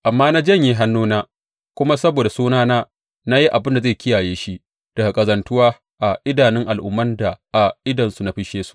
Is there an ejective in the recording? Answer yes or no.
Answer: yes